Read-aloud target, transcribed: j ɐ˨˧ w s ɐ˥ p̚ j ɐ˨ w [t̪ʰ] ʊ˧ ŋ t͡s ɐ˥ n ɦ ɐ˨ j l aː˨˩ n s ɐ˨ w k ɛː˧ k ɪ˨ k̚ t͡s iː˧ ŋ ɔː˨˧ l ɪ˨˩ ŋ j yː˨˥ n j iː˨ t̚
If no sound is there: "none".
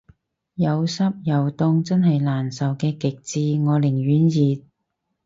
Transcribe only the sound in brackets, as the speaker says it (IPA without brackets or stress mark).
t̪